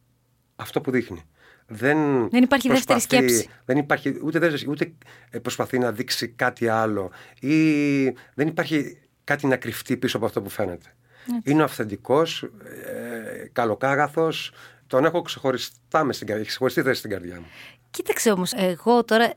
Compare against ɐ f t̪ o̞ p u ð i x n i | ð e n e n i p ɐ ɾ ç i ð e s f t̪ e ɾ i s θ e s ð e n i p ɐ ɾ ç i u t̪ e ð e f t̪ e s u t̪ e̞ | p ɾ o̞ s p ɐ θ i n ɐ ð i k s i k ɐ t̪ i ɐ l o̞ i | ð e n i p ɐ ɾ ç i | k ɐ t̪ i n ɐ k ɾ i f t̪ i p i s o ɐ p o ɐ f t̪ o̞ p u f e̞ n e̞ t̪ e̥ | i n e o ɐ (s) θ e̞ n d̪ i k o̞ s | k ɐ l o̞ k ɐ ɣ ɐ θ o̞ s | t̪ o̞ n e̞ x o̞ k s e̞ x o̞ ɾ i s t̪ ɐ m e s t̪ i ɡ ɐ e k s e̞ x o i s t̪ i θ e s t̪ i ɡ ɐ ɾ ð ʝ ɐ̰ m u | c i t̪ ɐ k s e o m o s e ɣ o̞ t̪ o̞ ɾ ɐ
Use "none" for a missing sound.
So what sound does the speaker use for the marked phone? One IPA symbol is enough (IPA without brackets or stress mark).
f